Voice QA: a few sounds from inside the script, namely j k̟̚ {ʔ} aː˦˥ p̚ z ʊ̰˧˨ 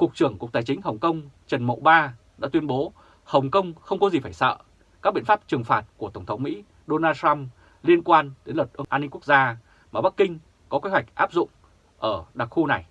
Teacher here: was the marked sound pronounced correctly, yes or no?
yes